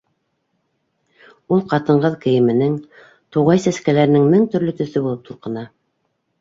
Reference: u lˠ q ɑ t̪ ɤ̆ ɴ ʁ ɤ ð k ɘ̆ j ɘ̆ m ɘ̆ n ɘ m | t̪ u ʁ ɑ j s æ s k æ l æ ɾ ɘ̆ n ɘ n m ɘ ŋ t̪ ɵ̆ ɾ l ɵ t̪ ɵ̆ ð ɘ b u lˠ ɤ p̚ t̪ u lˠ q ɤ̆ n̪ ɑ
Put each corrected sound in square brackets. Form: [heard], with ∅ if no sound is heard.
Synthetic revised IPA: u lˠ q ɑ t̪ ɤ̆ ɴ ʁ ɤ ð k ɘ̆ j ɘ̆ m ɘ̆ n ɘ [ŋ] | t̪ u ʁ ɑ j s æ s k æ l æ ɾ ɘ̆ n ɘ [ŋ] m ɘ ŋ t̪ ɵ̆ ɾ l ɵ t̪ ɵ̆ [θ] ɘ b u lˠ ɤ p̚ t̪ u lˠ q ɤ̆ n̪ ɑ